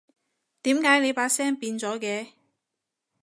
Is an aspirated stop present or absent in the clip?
absent